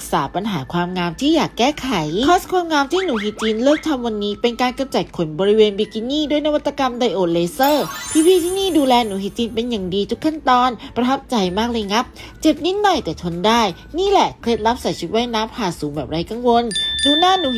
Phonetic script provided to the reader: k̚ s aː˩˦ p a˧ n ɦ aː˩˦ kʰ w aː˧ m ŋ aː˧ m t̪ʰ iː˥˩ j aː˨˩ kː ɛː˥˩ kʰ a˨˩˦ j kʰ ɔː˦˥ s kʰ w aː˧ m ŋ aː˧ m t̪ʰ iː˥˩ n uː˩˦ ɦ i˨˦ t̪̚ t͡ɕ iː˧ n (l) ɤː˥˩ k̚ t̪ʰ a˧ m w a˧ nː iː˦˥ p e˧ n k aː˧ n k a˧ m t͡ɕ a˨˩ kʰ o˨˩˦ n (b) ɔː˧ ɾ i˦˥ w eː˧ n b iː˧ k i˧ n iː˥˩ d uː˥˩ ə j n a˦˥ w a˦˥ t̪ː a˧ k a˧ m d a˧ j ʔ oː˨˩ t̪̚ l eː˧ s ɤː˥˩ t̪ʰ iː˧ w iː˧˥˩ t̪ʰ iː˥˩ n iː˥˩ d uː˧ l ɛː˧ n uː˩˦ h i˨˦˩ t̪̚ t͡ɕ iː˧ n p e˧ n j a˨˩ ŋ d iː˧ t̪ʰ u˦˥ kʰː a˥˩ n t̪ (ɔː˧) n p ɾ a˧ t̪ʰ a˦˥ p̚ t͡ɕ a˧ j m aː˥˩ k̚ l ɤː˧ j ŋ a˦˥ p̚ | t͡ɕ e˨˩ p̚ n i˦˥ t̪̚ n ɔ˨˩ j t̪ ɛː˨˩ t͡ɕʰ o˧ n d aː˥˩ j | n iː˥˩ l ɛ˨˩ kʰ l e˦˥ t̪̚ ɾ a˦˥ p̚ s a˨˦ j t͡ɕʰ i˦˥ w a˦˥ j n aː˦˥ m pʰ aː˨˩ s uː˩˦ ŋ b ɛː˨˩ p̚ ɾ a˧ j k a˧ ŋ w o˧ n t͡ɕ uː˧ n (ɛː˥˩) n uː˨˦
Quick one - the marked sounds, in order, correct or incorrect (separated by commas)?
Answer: correct, correct, correct, incorrect